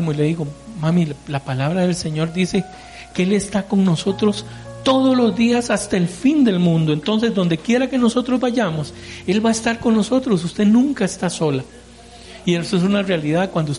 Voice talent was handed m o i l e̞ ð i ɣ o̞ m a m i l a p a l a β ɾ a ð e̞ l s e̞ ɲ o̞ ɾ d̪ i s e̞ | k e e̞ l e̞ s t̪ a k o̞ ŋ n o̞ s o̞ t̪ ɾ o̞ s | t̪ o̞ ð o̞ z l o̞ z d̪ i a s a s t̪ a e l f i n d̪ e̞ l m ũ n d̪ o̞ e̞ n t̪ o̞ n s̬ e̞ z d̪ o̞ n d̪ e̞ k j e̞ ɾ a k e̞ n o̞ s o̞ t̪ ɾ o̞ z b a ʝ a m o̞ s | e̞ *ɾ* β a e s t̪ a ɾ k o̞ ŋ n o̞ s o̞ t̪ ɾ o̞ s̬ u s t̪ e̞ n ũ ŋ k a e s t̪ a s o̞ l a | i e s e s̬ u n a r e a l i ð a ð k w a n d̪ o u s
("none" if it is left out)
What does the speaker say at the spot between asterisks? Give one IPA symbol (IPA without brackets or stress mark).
l